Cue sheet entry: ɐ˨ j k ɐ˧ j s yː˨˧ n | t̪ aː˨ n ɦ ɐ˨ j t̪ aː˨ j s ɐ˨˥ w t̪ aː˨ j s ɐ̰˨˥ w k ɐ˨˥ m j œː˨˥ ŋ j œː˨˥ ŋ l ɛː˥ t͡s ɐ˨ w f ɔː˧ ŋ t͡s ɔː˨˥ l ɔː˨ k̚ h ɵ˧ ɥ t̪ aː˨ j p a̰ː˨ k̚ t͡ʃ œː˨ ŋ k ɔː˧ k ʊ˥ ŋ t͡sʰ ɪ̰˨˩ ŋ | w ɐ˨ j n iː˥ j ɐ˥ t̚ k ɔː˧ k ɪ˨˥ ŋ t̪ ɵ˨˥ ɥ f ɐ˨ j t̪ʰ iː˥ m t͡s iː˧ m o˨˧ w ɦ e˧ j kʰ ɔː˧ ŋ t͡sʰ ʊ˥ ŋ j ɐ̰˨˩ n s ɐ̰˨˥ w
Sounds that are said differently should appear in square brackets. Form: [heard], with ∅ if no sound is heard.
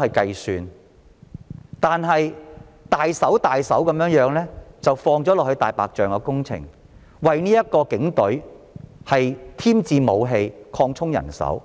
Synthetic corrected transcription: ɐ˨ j k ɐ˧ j s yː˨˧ n | t̪ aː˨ n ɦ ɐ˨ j t̪ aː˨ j s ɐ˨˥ w t̪ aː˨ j s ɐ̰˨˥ w k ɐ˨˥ m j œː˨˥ ŋ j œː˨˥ ŋ l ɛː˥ t͡s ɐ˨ w f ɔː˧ ŋ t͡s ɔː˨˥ l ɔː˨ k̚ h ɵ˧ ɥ t̪ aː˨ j p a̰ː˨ k̚ t͡ʃ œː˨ ŋ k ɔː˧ k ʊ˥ ŋ t͡sʰ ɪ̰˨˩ ŋ | w ɐ˨ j n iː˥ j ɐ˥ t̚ k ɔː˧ k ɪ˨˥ ŋ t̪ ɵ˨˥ ɥ [h] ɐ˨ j t̪ʰ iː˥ m t͡s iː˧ m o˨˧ w ɦ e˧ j kʰ ɔː˧ ŋ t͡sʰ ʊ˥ ŋ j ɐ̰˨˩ n s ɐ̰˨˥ w